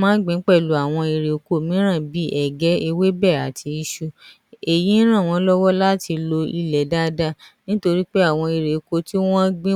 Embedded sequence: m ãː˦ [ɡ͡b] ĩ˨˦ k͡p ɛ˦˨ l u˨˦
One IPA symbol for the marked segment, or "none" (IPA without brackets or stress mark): ɡ͡b